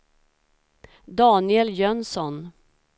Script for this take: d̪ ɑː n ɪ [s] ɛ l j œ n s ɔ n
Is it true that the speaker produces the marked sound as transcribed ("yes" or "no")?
no